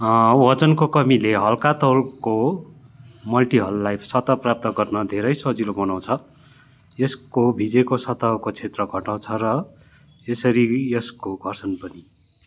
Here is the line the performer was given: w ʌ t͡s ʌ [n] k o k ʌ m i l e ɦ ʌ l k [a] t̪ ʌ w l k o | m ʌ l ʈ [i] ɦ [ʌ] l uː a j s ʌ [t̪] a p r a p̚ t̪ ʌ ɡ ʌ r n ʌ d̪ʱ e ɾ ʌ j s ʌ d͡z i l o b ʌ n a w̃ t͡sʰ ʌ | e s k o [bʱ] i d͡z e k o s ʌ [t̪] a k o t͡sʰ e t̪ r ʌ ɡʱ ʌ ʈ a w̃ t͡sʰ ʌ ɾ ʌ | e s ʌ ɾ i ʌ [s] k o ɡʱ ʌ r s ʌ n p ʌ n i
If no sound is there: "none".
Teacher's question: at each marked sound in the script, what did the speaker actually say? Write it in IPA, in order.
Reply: n, a, i, ʌ, t̪, bʱ, t̪, s

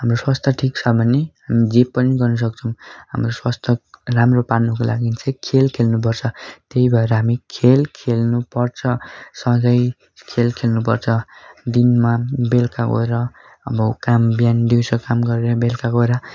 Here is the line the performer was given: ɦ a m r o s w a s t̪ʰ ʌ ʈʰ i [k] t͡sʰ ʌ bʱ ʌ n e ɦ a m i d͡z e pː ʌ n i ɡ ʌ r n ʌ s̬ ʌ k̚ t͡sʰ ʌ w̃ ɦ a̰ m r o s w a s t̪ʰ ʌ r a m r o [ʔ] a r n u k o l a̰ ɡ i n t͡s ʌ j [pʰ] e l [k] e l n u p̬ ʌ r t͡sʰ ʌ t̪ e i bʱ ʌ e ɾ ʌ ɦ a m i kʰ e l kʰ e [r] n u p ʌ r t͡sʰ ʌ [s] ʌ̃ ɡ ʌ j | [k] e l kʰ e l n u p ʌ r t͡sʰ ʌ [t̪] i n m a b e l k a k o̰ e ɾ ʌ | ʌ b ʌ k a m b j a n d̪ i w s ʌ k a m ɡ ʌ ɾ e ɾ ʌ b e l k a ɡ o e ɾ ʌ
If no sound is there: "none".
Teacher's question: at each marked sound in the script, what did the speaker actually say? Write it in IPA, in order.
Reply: k, p, kʰ, kʰ, l, s, kʰ, d̪

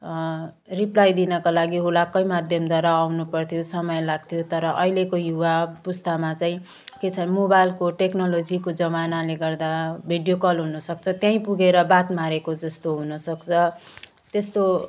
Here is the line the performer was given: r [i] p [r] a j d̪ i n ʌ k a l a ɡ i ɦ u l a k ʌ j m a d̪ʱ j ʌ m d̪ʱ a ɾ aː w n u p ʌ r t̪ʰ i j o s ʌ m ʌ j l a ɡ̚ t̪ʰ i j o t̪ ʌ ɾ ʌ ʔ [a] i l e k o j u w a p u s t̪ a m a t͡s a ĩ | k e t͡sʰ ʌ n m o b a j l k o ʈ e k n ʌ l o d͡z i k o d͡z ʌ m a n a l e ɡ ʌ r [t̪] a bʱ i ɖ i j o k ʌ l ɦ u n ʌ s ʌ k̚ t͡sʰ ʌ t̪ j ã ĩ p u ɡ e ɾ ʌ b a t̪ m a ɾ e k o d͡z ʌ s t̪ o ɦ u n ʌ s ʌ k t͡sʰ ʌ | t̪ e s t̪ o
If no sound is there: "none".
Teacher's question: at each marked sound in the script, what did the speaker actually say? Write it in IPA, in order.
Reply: i, l, ʌ, d̪

